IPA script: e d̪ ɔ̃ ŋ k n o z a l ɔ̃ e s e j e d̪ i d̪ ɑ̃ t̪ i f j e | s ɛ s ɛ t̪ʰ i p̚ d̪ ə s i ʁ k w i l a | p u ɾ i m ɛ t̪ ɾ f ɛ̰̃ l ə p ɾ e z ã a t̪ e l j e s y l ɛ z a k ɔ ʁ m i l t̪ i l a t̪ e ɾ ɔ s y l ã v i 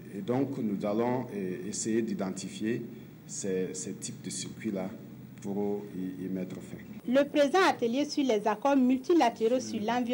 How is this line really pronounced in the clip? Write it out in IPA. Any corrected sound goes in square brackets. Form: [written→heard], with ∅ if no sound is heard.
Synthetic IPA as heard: e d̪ ɔ̃ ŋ k n [o→u] z a l ɔ̃ e s e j e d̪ i d̪ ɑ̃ t̪ i f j e | s ɛ s ɛ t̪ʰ i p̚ d̪ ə s i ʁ k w i l a | p u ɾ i m ɛ t̪ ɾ f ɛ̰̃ l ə p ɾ e z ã a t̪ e l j e s y l ɛ z a k ɔ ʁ m [i→y] l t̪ i l a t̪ e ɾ [ɔ→o] s y l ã v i